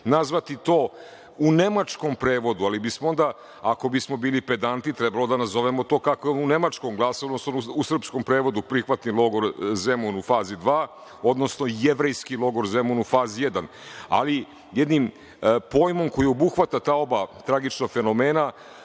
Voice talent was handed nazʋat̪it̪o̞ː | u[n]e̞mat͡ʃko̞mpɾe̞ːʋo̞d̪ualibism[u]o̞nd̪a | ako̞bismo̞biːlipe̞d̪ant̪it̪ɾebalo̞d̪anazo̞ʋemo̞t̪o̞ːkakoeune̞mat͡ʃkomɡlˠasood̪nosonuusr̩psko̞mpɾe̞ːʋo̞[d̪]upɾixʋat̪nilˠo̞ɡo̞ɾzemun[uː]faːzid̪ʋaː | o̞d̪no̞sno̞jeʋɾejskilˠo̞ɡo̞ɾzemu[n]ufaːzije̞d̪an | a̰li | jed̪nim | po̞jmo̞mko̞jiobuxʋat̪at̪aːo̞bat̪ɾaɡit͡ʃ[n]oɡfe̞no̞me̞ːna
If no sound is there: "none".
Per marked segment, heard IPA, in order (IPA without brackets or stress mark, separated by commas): n, o, d̪, u, n, n